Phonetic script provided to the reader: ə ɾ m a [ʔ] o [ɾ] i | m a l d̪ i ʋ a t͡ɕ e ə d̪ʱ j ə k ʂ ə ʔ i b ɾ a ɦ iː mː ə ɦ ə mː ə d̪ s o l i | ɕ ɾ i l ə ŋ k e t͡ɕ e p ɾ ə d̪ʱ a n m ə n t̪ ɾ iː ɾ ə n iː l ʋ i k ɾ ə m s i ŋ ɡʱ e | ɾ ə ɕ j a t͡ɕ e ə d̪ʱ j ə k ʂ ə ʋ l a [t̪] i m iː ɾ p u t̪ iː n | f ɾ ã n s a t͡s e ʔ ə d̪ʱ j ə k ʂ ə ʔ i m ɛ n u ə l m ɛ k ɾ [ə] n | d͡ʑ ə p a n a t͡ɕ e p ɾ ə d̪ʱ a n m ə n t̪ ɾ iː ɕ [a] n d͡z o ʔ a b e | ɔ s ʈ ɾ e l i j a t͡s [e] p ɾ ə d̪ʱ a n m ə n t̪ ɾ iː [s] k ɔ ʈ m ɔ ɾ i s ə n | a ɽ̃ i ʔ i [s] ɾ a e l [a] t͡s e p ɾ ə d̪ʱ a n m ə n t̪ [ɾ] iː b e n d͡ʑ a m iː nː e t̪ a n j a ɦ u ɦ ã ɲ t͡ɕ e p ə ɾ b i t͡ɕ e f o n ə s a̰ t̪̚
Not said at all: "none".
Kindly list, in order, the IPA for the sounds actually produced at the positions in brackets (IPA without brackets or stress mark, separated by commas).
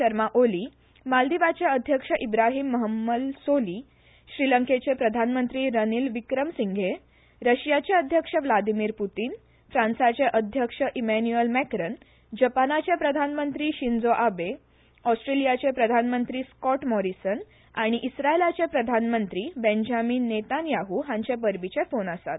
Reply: ʔ, l, d̪, ə, i, e, s, s, a, ɾ